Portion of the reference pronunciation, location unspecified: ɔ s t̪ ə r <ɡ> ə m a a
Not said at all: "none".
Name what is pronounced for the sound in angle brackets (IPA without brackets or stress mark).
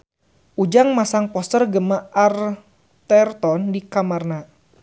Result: ɡ